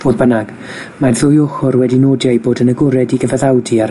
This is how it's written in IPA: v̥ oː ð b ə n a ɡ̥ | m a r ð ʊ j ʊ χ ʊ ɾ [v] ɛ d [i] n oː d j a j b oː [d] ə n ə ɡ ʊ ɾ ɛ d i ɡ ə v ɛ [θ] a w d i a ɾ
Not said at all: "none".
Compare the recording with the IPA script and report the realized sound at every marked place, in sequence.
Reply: w, i, d, ð

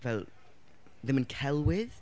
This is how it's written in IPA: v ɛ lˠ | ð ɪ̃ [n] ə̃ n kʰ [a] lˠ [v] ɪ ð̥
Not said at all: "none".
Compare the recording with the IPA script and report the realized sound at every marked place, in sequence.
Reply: m, ɛ, w

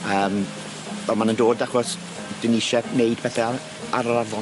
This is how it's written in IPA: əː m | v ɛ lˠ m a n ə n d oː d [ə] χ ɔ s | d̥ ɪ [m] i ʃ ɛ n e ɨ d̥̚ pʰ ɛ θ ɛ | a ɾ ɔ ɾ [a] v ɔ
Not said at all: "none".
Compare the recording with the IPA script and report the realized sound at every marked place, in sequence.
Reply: a, n, a

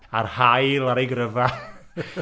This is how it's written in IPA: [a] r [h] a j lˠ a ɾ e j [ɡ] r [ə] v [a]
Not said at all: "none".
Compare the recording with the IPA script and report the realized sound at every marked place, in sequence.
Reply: a, h, ɡ, ə, a

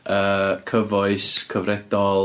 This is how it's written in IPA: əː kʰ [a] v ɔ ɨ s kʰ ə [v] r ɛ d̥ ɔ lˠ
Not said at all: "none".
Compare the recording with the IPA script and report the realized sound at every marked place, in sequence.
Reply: ə, v

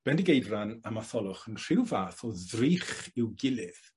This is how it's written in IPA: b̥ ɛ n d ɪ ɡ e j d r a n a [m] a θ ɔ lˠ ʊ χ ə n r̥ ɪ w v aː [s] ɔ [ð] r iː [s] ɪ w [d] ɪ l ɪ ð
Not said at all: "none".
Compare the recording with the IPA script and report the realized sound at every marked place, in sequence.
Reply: m, θ, ð, χ, ɡ

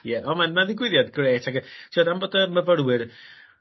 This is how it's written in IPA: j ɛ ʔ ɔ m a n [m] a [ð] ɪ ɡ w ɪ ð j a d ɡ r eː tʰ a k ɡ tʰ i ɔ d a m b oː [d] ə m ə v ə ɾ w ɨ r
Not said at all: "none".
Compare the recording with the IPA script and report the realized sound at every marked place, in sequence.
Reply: m, ð, d

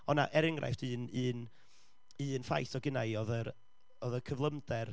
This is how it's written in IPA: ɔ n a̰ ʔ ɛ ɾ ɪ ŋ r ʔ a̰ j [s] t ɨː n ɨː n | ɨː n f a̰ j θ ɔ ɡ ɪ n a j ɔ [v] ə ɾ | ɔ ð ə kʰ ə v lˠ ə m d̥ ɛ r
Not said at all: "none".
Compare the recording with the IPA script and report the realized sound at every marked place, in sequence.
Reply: f, ð

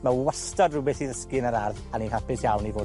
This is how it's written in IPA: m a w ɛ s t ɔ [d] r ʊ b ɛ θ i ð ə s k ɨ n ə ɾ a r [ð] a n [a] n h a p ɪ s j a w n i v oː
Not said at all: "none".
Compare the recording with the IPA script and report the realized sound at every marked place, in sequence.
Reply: d, ð, i

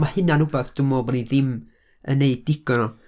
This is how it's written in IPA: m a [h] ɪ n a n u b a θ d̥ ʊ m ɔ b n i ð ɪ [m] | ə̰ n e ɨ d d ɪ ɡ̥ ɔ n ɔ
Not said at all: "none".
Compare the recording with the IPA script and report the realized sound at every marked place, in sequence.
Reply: h, m

